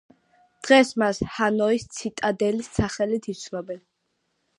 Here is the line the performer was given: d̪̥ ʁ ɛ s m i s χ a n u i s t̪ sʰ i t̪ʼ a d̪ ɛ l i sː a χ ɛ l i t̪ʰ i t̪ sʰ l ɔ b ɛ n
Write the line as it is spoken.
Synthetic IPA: d̪̥ ʁ ɛ s m a s h a n ɔ i s t̪ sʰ i t̪ʼ a d̪ ɛ l i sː a χ ɛ l i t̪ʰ i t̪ sʰ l ɔ b ɛ n